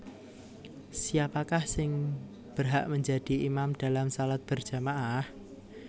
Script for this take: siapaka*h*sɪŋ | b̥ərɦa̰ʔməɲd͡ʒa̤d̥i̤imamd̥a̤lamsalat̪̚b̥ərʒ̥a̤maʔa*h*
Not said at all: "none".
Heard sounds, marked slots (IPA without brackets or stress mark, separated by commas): h, h